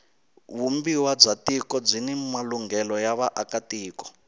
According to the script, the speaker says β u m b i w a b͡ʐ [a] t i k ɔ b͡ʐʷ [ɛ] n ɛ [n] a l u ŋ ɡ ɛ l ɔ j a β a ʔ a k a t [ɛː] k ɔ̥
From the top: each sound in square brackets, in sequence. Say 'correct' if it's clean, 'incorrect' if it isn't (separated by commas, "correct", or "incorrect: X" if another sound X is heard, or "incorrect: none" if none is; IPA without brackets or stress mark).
correct, incorrect: i, incorrect: m, incorrect: iː